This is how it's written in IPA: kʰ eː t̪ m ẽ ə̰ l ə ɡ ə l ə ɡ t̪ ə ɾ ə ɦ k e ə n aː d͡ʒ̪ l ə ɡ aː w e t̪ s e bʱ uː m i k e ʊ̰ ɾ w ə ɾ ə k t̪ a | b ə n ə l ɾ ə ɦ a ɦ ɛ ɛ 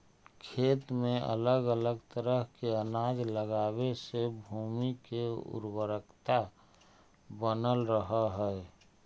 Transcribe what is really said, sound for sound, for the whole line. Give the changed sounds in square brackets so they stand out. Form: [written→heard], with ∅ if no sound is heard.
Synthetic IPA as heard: kʰ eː t̪ m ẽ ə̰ l ə ɡ ə l ə ɡ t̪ ə ɾ ə ɦ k e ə n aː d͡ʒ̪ l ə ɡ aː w e [t̪→∅] s e bʱ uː m i k e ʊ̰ ɾ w ə ɾ ə k t̪ a | b ə n ə l ɾ ə ɦ a ɦ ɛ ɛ